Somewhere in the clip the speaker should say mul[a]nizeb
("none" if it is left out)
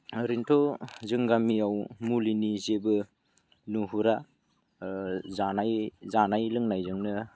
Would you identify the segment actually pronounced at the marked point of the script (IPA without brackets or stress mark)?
i